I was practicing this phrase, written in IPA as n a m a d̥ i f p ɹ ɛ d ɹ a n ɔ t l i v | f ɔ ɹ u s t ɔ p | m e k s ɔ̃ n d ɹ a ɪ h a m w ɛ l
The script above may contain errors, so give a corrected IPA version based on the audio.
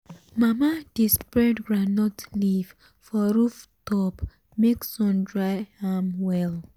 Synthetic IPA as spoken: m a m a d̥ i s p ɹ ɛ d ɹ a n ɔ t l i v | f ɔ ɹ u f t ɔ p | m e k s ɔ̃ n d ɹ a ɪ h a m w ɛ l

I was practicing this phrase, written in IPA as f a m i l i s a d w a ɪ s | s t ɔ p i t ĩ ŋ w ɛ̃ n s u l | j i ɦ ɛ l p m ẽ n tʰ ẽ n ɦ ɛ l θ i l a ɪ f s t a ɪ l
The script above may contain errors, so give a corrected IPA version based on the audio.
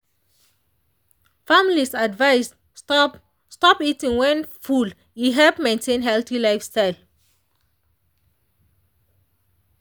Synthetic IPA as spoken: f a m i l i s a d v a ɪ s | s t ɔ p i t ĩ ŋ w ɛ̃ n f u l | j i ɦ ɛ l p m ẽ n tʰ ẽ n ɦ ɛ l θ i l a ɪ f s t a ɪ l

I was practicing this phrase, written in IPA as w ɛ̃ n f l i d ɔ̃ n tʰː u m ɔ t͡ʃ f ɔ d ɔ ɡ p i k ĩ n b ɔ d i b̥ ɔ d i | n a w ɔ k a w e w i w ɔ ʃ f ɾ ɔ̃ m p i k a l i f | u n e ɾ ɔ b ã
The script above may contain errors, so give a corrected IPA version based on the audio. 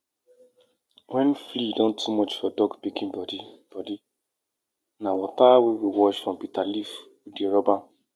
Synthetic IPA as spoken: w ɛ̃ n f l i d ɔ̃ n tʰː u m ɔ t͡ʃ f ɔ d ɔ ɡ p i k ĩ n b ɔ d i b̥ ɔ d i | n a w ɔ t a w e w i w ɔ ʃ f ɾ ɔ̃ m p i t a l i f | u d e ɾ ɔ b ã

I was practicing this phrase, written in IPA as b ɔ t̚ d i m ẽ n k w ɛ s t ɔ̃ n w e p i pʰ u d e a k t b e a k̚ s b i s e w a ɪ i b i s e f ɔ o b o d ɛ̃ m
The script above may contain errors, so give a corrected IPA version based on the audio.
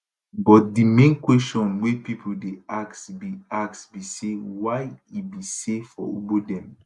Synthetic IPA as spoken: b ɔ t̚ d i m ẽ n k w ɛ s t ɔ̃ n w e p i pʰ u d e a k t b i a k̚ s b i s e w a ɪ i b i s e f ɔ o b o d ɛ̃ m

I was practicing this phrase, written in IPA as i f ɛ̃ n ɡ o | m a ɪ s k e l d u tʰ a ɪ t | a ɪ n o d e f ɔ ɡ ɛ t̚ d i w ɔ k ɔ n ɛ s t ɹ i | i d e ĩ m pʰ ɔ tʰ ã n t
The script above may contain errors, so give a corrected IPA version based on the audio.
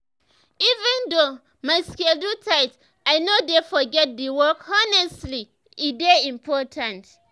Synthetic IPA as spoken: i v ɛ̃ n d o | m a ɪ s k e l d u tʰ a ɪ t | a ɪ n o d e f ɔ ɡ ɛ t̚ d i w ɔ k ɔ n ɛ s t l i | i d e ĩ m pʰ ɔ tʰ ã n t

